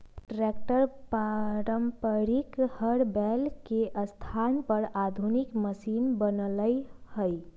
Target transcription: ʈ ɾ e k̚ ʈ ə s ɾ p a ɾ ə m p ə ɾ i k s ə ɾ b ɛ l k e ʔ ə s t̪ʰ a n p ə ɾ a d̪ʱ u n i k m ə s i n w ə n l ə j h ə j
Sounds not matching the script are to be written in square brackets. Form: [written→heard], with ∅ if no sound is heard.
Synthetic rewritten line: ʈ ɾ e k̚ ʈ ə [s→∅] ɾ p a ɾ ə m p ə ɾ i k [s→h] ə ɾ b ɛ l k e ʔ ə s t̪ʰ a n p ə ɾ a d̪ʱ u n i k m ə s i n [w→b] ə n l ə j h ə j